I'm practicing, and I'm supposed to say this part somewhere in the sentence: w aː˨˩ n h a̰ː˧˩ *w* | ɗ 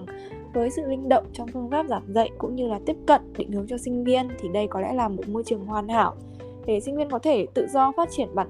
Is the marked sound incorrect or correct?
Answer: correct